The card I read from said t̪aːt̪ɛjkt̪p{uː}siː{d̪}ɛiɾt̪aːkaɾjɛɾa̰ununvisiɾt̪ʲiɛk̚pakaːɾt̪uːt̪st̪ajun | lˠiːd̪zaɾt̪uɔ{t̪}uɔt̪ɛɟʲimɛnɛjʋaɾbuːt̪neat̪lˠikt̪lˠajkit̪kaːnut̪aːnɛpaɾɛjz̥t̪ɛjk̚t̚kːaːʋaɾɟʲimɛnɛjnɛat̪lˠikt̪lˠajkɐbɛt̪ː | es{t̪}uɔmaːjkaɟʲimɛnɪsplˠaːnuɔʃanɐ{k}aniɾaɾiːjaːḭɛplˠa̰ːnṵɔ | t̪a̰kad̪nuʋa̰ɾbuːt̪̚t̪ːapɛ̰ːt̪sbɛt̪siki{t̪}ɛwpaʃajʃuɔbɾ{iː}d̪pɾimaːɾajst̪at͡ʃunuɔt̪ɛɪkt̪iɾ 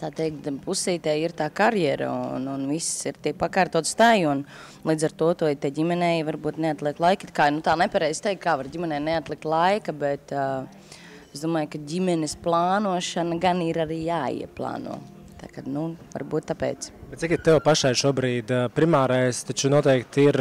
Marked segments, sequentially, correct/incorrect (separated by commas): incorrect, incorrect, correct, incorrect, incorrect, correct, correct